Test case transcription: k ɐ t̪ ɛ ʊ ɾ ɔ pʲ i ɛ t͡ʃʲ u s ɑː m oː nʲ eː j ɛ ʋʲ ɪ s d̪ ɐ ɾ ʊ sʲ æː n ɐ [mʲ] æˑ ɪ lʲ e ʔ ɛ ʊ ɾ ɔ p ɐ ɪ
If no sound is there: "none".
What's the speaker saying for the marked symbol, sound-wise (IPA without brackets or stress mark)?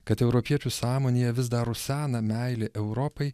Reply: mʲ